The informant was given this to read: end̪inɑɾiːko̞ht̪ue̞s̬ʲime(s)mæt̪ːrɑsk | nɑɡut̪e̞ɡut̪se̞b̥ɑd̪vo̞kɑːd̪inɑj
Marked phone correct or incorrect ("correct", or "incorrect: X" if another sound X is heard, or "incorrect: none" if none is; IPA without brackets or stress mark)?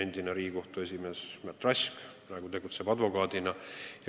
correct